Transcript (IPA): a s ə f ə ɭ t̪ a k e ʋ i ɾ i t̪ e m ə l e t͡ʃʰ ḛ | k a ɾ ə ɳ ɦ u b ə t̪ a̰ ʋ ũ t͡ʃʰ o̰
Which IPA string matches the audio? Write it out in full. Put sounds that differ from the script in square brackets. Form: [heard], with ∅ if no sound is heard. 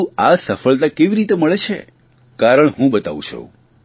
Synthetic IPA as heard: a s ə f ə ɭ t̪ a k e ʋ i ɾ i t̪ e m ə [ɭ] e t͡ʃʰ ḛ | k a ɾ ə ɳ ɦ [ũ] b ə t̪ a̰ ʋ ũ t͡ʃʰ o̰